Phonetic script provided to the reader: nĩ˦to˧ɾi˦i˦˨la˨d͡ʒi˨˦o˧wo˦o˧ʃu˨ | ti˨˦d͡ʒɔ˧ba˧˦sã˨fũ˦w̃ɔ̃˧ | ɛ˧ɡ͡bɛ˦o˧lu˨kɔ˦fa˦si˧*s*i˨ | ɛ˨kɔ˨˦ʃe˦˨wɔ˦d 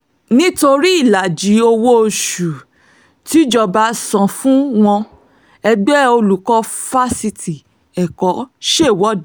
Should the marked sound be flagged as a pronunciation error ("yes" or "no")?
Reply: yes